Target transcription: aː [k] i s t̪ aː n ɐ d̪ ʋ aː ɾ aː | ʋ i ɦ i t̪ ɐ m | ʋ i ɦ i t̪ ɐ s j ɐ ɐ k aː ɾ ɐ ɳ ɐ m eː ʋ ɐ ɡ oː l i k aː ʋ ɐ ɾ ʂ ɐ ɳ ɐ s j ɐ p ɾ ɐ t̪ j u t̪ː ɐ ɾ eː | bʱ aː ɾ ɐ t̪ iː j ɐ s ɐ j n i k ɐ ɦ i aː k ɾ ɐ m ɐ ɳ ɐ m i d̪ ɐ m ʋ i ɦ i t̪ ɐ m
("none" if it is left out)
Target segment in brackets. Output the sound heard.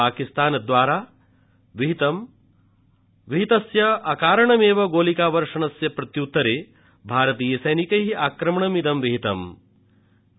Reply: k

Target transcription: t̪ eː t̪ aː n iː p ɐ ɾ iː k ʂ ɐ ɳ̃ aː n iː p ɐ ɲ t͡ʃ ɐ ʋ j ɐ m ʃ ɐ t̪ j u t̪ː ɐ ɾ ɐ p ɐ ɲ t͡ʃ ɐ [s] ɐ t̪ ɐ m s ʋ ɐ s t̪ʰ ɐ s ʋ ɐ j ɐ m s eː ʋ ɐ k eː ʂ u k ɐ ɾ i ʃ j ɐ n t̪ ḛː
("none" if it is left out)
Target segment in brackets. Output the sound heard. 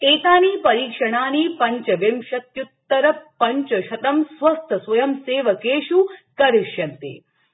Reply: ʃ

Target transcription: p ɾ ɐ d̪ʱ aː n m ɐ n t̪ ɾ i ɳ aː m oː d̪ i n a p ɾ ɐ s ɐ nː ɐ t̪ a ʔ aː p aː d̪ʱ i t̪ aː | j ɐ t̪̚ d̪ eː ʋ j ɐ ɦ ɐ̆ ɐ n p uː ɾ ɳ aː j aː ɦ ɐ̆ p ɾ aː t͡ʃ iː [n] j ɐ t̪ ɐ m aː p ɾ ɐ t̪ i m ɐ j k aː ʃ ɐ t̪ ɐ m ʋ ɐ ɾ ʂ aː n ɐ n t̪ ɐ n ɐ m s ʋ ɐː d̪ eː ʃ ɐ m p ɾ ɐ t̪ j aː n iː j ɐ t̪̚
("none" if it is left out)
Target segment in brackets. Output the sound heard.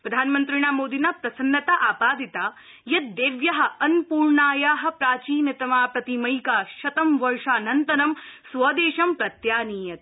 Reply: n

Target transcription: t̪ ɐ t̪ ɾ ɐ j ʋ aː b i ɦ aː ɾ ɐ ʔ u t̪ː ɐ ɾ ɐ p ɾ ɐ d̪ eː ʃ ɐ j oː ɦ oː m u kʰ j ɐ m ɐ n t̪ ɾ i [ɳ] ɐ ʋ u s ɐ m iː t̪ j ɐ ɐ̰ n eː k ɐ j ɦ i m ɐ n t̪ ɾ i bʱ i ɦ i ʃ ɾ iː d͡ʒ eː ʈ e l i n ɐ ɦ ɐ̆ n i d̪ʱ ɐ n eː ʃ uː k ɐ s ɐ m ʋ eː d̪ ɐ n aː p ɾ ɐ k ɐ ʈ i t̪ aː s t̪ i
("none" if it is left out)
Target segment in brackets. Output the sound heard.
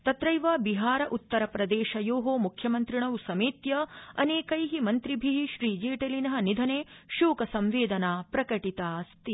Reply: ɳ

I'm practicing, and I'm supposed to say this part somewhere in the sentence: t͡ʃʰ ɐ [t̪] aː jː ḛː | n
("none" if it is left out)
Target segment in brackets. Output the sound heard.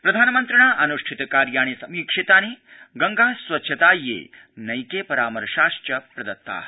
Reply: t̪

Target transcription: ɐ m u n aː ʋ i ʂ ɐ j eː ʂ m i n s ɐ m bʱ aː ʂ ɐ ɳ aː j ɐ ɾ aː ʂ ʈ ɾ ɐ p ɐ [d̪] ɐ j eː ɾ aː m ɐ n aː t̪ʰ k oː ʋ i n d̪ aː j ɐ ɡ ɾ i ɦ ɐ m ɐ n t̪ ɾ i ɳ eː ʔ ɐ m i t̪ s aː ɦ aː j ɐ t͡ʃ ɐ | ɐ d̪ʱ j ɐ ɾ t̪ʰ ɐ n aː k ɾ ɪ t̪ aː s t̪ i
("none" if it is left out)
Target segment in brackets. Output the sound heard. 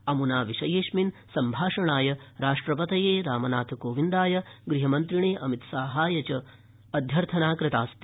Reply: t̪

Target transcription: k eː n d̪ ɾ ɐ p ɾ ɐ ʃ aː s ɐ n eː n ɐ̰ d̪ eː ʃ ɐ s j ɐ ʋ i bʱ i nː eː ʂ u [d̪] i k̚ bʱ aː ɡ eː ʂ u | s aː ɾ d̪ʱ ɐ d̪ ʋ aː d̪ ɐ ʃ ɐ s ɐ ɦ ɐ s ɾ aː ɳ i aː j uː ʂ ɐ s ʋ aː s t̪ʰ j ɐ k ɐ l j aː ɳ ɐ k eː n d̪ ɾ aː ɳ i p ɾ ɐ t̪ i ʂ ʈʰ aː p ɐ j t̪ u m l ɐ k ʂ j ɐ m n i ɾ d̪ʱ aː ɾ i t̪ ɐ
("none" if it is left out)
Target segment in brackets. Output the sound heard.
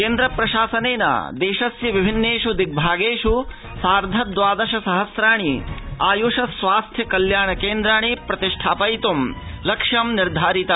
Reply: d̪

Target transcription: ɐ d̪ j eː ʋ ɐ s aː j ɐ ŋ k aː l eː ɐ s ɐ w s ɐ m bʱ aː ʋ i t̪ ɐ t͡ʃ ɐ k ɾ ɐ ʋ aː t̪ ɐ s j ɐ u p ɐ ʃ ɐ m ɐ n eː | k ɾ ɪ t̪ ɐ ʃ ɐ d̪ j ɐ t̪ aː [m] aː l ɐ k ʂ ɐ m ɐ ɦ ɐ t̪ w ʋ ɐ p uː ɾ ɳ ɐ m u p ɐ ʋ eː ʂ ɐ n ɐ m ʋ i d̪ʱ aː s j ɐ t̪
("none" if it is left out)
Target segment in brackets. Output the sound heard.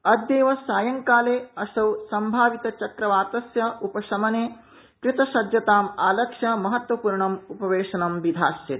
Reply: m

